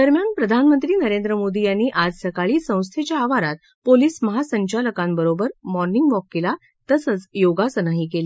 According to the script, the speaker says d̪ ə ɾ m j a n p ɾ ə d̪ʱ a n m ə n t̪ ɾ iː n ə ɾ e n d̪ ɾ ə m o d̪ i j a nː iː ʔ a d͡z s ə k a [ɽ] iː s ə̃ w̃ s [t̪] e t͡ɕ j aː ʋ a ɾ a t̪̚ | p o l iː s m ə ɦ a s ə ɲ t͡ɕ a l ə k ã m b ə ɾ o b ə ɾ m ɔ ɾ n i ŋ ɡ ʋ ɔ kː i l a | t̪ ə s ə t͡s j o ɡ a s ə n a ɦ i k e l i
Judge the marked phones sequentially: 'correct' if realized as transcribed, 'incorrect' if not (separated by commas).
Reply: incorrect, incorrect